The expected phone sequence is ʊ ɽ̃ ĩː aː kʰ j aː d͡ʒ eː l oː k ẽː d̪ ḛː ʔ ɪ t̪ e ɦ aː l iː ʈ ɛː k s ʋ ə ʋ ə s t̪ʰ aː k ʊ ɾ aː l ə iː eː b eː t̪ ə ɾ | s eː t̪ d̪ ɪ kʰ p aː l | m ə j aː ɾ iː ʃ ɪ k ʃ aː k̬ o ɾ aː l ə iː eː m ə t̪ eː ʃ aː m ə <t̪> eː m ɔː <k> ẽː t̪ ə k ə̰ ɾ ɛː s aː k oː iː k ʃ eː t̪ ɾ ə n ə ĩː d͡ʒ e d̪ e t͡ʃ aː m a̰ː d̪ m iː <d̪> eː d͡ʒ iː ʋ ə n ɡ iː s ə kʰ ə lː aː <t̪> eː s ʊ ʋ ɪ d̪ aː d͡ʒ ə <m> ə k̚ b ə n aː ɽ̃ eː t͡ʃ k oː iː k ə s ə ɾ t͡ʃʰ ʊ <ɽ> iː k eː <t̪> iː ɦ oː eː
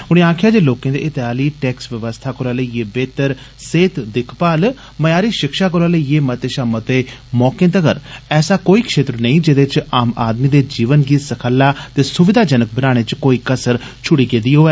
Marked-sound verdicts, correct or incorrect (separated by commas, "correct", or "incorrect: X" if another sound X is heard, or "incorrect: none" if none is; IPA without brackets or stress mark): correct, correct, correct, correct, incorrect: n, correct, incorrect: d̪